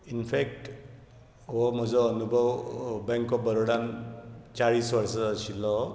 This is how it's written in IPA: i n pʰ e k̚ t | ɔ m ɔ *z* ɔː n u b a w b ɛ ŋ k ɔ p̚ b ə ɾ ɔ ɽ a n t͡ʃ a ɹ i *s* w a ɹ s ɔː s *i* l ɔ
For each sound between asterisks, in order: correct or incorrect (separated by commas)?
correct, correct, correct